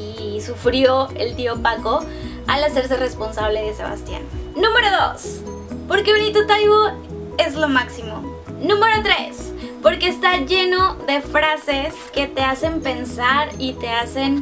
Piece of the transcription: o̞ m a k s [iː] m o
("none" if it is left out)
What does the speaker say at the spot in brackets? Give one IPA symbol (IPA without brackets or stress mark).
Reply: i